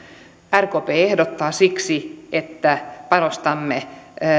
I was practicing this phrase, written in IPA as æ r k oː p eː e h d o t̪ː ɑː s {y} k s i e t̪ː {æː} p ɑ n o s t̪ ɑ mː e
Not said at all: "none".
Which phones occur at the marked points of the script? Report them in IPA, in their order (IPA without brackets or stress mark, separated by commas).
i, æ